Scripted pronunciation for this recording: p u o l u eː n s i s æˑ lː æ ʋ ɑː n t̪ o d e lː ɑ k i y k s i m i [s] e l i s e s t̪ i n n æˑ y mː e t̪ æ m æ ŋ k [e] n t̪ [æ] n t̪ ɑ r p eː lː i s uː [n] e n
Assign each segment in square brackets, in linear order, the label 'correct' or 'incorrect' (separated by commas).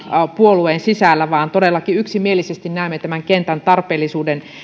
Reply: incorrect, correct, correct, incorrect